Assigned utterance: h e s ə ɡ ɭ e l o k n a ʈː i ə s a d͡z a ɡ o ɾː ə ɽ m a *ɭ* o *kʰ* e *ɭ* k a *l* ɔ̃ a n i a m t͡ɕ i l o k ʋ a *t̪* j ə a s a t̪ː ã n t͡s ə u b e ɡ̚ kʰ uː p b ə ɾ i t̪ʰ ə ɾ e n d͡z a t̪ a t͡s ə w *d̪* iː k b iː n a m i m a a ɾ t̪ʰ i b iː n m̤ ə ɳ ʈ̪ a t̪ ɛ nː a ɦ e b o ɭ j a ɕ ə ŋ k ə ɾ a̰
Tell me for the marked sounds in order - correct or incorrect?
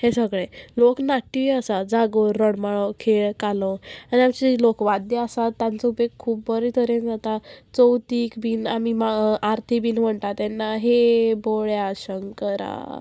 correct, correct, correct, correct, incorrect: d̪, incorrect: t̪

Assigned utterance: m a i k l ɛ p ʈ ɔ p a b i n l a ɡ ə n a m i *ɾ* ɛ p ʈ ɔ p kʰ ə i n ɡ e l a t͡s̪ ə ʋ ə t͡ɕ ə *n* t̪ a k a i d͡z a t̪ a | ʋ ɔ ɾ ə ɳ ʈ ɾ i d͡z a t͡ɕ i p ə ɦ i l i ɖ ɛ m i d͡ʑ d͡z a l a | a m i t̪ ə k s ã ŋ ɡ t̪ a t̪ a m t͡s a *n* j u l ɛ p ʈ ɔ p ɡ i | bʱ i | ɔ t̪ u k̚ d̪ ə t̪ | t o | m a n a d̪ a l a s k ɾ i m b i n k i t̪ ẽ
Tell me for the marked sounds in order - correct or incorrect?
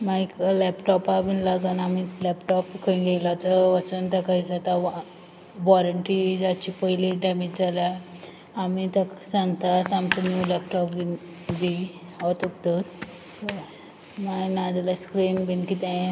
incorrect: l, correct, correct

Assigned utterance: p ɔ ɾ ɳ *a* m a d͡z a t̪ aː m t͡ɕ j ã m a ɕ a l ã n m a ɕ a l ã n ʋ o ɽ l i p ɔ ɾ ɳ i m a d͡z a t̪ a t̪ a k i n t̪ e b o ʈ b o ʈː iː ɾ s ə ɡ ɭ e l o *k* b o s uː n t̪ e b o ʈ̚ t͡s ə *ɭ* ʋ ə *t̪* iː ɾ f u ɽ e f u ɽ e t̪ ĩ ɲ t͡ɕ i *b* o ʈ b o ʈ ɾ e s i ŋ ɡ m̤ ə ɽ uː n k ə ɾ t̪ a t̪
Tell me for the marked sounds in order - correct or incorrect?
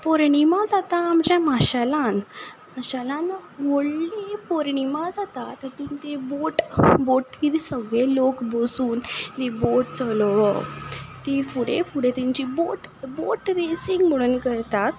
incorrect: i, correct, incorrect: l, correct, correct

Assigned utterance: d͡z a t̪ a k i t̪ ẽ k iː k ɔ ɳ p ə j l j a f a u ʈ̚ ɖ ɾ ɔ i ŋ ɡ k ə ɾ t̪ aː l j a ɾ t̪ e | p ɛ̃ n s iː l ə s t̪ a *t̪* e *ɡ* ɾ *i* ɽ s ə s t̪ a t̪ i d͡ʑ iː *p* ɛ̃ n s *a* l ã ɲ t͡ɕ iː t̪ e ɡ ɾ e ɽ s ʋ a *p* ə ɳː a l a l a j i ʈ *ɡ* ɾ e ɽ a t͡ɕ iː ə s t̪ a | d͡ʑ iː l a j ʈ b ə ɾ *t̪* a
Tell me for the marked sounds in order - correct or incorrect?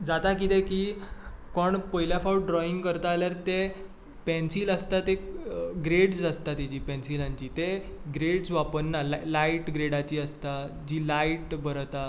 correct, correct, incorrect: e, correct, incorrect: i, correct, correct, correct

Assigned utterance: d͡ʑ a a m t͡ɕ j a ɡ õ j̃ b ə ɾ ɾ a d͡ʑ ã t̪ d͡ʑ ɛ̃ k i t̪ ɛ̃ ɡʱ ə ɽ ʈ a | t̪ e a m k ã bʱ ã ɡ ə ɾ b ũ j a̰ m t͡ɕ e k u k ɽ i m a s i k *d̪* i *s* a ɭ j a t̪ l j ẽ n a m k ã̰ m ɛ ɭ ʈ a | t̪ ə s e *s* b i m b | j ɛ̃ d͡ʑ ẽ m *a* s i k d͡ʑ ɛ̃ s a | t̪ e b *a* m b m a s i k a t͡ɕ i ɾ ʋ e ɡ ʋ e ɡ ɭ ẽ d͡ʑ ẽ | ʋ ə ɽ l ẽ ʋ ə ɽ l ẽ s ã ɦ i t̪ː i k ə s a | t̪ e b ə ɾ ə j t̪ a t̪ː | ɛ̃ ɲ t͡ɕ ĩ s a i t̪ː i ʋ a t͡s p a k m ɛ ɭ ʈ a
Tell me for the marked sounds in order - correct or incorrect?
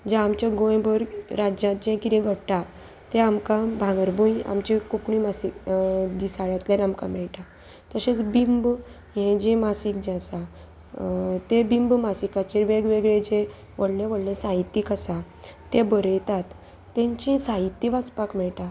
correct, correct, incorrect: t͡s, correct, incorrect: i

